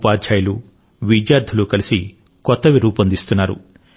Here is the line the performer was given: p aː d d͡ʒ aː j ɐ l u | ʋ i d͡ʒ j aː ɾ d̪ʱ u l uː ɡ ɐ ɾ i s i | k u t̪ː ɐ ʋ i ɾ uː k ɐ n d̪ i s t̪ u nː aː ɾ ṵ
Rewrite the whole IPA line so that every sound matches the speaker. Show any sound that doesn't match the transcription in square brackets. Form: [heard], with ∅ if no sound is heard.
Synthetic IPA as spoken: p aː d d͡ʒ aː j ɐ l u | ʋ i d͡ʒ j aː ɾ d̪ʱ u l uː [k] ɐ [l] i s i | k [ɔ] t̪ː ɐ ʋ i ɾ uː [p] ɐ n d̪ i s t̪ u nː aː ɾ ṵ